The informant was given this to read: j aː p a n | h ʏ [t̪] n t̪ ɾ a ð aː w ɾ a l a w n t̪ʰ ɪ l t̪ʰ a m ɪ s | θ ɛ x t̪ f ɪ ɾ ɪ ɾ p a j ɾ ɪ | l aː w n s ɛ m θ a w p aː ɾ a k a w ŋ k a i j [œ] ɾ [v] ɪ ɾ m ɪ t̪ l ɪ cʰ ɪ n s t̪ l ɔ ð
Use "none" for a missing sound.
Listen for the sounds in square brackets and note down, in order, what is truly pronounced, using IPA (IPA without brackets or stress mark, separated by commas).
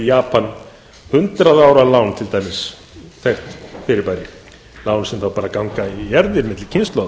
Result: none, ɛ, ð